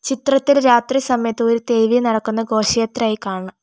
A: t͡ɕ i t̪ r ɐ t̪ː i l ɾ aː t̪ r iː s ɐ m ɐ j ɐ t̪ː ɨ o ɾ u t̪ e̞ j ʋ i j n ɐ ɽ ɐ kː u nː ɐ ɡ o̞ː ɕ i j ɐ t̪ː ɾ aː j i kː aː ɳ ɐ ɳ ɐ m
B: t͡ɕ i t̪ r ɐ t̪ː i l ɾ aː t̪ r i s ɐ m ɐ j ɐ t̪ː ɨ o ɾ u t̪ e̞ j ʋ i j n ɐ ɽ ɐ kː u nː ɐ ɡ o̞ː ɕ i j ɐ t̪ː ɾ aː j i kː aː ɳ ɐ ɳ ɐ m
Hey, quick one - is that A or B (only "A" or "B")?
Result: B